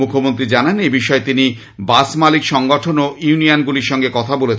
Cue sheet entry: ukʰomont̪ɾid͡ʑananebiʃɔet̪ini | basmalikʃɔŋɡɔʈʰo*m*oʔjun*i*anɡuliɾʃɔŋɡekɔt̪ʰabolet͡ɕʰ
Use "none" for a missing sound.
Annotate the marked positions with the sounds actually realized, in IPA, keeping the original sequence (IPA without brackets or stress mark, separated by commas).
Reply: n, i